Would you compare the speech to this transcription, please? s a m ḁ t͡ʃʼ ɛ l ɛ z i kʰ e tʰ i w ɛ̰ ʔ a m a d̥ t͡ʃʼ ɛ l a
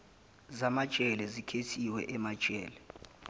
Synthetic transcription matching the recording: z a m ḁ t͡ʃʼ ɛ l ɛ z i kʰ e tʰ i w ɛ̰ ʔ ɛ m a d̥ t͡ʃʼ ɛː l ɛ